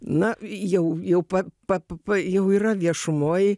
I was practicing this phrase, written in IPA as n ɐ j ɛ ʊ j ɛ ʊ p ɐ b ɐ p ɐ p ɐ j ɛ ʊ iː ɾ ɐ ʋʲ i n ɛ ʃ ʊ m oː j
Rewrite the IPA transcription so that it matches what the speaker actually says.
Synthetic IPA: n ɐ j ɛ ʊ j ɛ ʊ p ɐ p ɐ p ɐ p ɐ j ɛ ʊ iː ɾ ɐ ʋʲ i ɛ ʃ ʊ m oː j